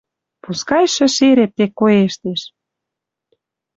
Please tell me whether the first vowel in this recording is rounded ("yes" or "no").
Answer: yes